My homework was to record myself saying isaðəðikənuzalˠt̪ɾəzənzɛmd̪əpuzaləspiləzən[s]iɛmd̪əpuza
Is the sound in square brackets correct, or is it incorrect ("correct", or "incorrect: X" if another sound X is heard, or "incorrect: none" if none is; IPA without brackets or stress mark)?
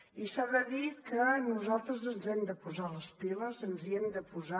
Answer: incorrect: z